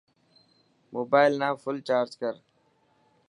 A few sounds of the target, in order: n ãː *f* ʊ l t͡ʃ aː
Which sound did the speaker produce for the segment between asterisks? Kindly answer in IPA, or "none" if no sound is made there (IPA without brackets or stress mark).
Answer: f